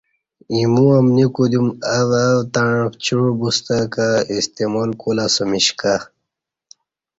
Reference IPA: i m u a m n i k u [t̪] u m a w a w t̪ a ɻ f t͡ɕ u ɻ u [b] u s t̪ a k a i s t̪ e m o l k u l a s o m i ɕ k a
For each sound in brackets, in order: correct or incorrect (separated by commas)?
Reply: incorrect, correct